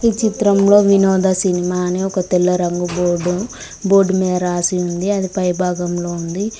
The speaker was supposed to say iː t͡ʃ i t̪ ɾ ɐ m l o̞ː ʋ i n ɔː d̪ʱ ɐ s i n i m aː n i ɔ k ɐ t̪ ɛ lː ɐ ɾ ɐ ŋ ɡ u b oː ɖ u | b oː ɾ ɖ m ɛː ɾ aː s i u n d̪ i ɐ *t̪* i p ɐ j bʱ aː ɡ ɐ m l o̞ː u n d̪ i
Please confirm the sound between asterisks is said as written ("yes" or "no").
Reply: no